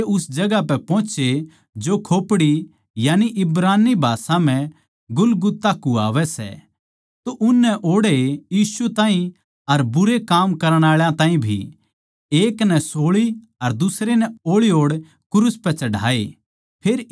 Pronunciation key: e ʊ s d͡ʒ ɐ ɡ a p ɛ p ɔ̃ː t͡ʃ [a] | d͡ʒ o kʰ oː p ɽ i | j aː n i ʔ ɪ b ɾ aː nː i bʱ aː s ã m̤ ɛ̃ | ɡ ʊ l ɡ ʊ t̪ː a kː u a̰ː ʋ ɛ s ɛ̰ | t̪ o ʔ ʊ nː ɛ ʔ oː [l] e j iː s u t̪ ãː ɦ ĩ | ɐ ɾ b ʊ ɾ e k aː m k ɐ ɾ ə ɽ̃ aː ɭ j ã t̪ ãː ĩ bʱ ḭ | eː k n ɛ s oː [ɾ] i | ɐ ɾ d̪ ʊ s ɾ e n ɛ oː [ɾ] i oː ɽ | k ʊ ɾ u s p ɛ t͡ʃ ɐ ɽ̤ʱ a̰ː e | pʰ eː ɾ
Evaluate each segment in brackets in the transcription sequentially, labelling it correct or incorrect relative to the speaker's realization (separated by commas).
incorrect, incorrect, incorrect, incorrect